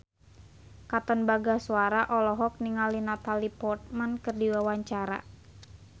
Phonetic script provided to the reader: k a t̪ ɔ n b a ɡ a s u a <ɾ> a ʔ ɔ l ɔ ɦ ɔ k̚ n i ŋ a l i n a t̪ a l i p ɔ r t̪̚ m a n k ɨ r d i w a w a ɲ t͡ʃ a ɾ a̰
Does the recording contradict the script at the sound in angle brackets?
no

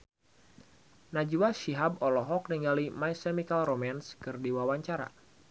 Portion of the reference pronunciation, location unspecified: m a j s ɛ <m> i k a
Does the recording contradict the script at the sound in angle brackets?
no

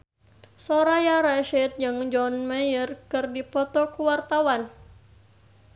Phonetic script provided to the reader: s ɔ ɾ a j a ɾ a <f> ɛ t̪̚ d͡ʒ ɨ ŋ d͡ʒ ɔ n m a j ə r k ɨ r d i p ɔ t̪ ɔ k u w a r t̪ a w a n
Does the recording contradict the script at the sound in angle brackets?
yes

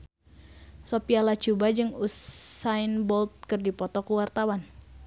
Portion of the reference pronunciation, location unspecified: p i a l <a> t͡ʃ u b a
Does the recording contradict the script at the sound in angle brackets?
no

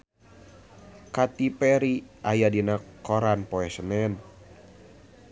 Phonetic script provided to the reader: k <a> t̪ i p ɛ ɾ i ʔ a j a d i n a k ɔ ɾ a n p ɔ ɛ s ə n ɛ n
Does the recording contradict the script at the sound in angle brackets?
no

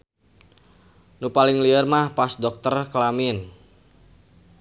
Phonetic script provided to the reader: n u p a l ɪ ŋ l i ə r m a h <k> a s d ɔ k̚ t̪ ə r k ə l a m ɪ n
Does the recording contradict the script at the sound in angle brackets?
yes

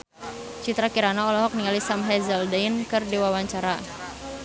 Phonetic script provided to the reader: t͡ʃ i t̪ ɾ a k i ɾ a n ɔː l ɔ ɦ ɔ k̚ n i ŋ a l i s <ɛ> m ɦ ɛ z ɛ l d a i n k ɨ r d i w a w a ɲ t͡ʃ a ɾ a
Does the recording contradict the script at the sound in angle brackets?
yes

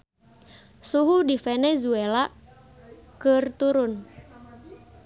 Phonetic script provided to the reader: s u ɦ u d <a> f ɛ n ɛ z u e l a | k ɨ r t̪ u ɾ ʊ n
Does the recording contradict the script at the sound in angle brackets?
yes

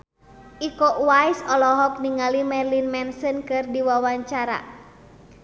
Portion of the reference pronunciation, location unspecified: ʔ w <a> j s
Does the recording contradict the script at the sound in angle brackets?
no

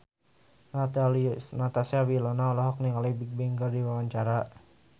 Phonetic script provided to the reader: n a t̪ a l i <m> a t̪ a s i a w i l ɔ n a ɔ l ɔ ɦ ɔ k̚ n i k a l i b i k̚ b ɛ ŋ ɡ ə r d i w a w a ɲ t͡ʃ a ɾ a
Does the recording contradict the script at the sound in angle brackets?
yes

